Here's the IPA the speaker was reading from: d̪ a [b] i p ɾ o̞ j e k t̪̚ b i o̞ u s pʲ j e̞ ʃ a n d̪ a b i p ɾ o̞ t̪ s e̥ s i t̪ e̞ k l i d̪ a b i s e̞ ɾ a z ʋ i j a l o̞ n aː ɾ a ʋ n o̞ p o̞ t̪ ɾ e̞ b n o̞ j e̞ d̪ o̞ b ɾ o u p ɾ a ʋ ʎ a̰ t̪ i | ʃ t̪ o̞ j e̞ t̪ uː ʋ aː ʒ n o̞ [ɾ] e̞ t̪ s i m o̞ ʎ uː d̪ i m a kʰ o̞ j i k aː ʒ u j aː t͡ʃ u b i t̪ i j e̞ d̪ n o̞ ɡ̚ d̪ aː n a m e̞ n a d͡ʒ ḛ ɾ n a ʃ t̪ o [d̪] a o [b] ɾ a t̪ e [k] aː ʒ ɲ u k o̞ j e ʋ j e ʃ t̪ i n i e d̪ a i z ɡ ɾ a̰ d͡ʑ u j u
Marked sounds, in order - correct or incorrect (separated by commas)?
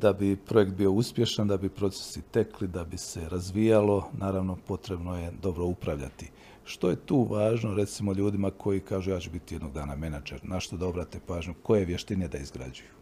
correct, correct, correct, correct, incorrect